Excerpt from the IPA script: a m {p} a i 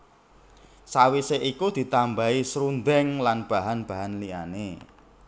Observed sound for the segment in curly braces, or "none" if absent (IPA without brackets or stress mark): b